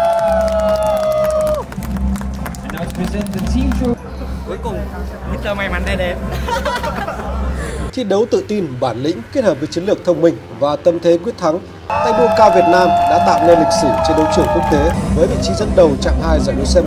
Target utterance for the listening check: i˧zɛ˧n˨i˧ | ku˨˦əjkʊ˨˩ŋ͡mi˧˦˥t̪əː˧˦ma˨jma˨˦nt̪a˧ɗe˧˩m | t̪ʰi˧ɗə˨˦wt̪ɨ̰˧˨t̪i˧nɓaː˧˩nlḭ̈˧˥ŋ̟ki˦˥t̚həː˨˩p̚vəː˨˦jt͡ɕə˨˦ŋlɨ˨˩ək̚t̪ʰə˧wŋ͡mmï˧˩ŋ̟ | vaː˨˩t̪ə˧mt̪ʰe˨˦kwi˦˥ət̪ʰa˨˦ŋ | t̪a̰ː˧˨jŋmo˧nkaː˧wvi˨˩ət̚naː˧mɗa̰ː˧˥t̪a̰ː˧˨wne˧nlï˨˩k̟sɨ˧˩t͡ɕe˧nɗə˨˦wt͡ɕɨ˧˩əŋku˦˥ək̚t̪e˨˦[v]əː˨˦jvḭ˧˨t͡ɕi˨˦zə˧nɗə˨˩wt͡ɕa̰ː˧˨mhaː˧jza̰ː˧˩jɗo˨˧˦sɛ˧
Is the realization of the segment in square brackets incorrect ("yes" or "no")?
no